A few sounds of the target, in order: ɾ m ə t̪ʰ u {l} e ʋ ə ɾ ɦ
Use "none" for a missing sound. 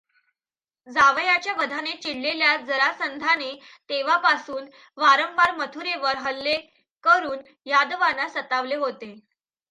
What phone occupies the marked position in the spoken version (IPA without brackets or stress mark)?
ɾ